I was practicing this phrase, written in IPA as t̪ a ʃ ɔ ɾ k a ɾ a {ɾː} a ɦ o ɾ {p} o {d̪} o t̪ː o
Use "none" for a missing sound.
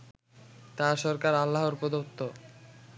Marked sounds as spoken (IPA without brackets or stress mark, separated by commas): lː, p, d̪